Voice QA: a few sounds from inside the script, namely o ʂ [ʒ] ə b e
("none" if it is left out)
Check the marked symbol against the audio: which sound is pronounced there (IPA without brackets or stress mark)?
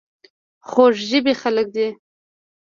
ʒ